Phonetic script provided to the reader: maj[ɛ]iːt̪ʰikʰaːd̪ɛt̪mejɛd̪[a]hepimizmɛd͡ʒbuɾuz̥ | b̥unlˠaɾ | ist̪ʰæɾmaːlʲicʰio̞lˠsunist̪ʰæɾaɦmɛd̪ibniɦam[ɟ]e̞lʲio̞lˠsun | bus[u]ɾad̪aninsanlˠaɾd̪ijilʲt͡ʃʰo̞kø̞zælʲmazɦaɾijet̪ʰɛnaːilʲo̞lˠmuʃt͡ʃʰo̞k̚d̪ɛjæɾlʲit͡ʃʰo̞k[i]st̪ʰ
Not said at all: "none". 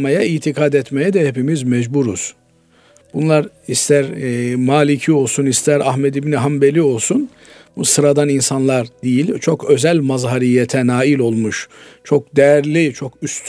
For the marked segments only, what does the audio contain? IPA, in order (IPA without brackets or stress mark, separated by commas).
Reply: a, ɛ, b, ɯ, y